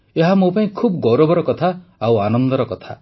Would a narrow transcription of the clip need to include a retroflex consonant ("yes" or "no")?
no